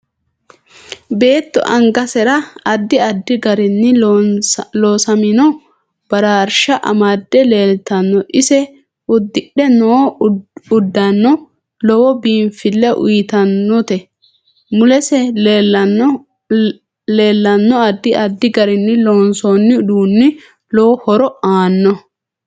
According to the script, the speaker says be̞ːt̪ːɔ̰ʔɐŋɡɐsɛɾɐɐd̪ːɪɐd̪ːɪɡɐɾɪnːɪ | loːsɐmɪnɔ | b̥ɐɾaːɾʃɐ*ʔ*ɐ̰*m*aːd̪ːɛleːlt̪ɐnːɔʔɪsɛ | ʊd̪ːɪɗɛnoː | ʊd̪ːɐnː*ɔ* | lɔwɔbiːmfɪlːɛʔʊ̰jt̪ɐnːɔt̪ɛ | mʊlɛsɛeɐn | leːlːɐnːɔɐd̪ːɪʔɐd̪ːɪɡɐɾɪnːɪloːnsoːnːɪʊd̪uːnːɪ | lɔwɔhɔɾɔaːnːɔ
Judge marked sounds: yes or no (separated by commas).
yes, yes, yes